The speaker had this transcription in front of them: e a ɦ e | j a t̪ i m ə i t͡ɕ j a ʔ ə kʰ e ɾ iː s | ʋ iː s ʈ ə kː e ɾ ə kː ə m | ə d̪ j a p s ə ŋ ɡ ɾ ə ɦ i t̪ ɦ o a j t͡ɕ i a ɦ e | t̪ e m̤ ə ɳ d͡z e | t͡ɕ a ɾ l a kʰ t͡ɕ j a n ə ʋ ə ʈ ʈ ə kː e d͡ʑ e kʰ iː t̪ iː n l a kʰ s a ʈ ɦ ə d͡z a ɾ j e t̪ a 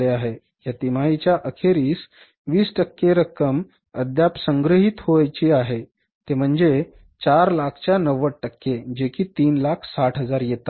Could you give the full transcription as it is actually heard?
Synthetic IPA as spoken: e a ɦ e | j a t̪ i m a i t͡ɕ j a ʔ ə kʰ e ɾ iː s | ʋ iː s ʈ ə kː e ɾ ə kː ə m | ə d̪ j a p s ə ŋ ɡ ɾ ə ɦ i t̪ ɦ o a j t͡ɕ i a ɦ e | t̪ e m̤ ə ɳ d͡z e | t͡ɕ a ɾ l a kʰ t͡ɕ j a n ə ʋ ə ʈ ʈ ə kː e d͡ʑ e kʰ iː t̪ iː n l a kʰ s a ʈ ɦ ə d͡z a ɾ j e t̪ a